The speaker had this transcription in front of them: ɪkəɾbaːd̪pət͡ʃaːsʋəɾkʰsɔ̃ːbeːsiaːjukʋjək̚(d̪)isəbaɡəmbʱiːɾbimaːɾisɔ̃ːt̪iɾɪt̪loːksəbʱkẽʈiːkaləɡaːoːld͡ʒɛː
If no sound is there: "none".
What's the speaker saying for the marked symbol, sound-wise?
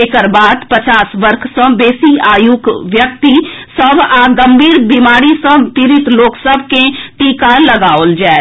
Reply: t̪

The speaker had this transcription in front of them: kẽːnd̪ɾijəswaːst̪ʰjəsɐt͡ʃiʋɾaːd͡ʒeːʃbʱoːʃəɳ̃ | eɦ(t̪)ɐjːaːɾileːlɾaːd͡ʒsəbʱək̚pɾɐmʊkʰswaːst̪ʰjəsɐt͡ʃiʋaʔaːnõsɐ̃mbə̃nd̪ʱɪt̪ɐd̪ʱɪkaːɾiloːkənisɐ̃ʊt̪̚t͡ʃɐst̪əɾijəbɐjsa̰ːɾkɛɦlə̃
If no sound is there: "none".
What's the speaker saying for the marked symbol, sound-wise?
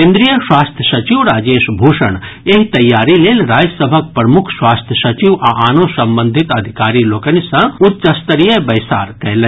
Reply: t̪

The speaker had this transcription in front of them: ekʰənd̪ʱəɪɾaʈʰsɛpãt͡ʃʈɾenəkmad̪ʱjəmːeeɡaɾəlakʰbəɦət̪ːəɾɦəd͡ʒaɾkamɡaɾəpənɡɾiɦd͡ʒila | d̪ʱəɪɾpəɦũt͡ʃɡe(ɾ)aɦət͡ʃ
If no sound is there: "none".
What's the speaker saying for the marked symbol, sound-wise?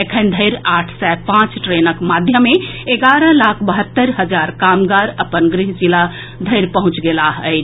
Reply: l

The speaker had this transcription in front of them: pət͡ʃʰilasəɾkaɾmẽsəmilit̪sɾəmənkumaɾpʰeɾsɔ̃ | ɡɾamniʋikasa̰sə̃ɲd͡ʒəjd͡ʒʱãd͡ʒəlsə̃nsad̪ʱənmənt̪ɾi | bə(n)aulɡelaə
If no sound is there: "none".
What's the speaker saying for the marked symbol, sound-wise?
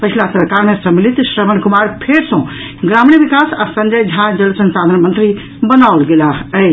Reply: n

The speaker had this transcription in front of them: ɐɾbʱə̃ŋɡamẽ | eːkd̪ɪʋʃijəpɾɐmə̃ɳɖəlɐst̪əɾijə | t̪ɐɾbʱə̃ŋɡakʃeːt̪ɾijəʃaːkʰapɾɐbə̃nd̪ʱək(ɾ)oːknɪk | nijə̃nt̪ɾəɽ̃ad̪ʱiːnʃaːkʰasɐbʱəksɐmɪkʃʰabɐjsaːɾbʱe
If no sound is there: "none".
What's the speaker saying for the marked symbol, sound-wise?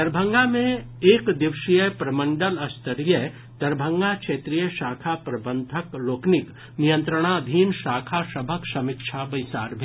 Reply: l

